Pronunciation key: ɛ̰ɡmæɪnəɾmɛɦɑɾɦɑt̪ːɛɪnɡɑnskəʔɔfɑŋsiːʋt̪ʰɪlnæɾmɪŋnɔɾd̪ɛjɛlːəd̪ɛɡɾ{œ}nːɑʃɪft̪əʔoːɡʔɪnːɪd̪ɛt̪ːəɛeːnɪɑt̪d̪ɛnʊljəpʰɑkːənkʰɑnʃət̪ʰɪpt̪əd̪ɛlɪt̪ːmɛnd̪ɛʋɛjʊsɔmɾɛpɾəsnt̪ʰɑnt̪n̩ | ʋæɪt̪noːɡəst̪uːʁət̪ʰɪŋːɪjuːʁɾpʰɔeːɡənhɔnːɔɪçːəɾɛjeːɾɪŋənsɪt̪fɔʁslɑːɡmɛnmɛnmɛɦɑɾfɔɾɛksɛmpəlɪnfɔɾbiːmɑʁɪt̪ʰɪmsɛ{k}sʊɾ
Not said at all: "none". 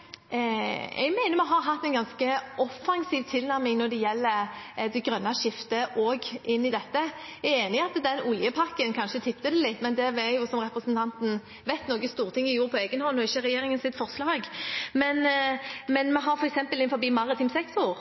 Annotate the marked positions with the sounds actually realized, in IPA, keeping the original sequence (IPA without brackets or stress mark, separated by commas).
œ, k